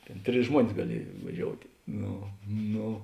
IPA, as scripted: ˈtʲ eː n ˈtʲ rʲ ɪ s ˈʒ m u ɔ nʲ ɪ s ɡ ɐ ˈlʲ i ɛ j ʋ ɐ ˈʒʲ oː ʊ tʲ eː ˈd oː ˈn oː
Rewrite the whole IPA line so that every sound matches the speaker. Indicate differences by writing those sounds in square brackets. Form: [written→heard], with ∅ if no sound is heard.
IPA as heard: ˈtʲ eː n ˈtʲ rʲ ɪ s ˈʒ m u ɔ nʲ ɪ s ɡ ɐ ˈlʲ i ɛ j ʋ ɐ ˈʒʲ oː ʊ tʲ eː [ˈd→ˈn] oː ˈn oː